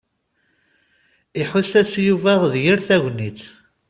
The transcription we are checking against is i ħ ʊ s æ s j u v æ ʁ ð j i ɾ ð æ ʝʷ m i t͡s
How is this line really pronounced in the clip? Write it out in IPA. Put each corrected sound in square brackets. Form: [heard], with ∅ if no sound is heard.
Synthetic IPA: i ħ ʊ s æ s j u v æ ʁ ð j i ɾ [θ] æ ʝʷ [n] i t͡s